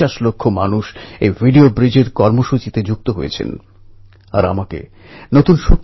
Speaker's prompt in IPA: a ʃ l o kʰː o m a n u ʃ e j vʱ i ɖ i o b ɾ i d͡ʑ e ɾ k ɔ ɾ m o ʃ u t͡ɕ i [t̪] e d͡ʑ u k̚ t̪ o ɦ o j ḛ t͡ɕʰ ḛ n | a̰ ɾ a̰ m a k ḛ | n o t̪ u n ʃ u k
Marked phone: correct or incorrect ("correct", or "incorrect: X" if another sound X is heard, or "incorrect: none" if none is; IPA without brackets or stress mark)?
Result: correct